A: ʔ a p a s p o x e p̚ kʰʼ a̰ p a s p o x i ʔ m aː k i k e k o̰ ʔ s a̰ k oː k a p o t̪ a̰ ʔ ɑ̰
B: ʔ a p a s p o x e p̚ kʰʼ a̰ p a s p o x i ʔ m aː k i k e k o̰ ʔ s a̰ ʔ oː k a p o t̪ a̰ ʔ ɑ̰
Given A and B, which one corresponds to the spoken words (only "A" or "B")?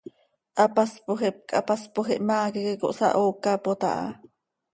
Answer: B